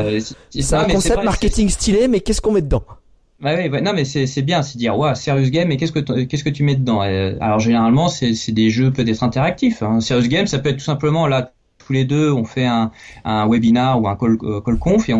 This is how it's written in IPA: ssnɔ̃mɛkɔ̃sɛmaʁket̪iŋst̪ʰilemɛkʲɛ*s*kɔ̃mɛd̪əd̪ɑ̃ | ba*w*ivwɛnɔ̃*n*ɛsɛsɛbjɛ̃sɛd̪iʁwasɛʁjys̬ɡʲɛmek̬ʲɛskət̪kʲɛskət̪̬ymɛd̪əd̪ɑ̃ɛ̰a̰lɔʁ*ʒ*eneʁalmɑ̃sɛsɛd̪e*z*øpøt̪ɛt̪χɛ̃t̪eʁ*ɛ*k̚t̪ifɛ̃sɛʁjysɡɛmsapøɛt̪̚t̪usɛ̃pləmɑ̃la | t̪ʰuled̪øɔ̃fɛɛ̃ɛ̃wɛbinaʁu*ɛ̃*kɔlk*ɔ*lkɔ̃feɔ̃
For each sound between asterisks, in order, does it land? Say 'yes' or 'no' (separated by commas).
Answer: yes, yes, no, yes, no, no, yes, yes